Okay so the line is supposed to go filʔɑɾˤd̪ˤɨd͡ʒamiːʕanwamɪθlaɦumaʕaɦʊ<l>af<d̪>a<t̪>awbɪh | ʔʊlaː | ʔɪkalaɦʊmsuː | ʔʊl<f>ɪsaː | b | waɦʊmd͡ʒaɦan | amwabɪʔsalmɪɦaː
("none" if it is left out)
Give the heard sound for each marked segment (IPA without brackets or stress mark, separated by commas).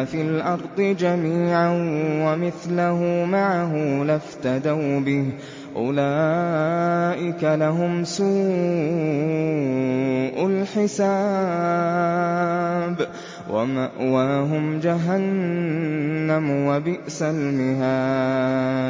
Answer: l, t̪, d̪, ħ